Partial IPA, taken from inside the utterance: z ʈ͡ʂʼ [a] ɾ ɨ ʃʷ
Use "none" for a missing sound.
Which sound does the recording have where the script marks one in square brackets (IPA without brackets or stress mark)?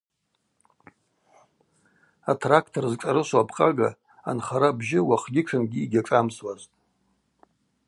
a